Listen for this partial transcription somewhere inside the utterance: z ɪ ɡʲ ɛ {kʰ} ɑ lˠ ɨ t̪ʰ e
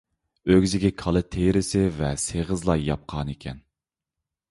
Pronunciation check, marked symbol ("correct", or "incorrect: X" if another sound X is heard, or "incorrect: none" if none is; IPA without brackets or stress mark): correct